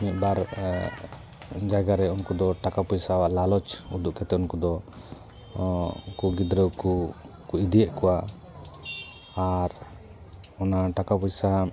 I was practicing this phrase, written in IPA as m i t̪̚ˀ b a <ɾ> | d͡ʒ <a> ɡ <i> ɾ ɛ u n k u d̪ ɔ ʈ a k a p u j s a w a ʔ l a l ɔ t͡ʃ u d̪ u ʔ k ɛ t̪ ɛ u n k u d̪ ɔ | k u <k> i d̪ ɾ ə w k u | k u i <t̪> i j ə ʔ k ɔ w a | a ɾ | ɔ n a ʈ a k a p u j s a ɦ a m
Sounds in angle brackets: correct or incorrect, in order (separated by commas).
correct, correct, incorrect, incorrect, incorrect